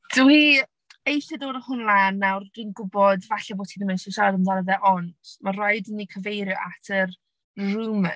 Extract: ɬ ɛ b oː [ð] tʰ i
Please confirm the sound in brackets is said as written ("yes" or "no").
no